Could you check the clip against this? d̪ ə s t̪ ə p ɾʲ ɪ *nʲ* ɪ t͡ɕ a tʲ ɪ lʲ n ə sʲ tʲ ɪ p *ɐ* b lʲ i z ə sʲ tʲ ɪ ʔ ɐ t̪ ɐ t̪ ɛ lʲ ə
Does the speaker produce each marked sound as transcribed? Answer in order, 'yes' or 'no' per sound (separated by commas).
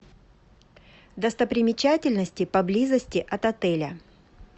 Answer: no, yes